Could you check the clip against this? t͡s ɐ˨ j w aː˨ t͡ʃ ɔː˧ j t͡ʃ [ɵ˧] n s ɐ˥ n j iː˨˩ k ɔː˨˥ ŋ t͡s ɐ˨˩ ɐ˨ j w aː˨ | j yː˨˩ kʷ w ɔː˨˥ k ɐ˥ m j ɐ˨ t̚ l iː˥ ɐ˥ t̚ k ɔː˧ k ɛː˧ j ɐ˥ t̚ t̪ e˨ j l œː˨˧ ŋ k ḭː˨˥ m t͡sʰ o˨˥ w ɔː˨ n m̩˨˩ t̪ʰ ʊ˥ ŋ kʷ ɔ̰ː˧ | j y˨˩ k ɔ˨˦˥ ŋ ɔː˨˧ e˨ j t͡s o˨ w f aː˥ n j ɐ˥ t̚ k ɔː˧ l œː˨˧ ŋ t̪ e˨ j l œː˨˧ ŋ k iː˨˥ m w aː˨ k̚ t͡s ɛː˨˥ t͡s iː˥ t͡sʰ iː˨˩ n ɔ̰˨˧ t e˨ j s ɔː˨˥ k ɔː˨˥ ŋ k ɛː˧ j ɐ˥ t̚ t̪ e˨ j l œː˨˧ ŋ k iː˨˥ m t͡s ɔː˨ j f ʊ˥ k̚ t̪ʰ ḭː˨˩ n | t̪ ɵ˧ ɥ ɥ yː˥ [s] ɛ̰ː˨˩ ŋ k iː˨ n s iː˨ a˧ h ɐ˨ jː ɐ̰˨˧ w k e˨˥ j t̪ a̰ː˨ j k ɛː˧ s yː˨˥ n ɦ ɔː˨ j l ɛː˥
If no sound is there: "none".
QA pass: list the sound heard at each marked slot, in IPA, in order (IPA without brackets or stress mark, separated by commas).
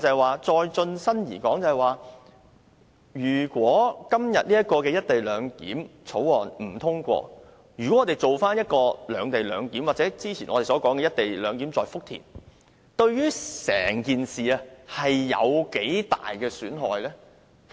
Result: ɵ˧, s